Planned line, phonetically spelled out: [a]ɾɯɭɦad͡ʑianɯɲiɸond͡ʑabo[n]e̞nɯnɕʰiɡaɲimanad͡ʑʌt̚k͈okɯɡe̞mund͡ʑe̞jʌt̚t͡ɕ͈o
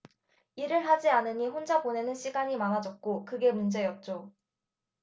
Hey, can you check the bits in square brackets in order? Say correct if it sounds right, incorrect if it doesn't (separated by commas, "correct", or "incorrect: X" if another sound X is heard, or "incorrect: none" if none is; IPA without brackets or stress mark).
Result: incorrect: i, correct